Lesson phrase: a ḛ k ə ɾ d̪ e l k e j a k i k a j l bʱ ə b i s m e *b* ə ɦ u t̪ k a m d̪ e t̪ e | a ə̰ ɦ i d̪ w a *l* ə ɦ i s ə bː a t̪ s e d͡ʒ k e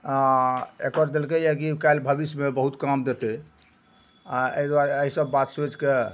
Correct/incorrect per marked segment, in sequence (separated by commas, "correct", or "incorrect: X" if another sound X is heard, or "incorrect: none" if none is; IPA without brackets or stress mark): correct, incorrect: ɾ